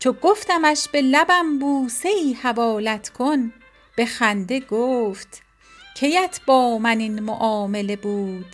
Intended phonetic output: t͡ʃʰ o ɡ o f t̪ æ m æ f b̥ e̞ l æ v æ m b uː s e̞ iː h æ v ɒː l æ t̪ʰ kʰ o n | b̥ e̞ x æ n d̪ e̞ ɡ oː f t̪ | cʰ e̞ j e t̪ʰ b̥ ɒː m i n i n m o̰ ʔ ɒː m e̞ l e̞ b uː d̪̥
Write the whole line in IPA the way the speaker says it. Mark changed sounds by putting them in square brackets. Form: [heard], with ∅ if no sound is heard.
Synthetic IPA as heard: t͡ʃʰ o ɡ o f t̪ æ m æ [ʃ] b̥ e̞ l æ [b] æ m b uː s e̞ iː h æ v ɒː l æ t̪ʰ kʰ o n | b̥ e̞ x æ n d̪ e̞ ɡ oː f t̪ | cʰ e̞ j [æ] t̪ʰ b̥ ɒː m [æ] n i n m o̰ ʔ ɒː m e̞ l e̞ b uː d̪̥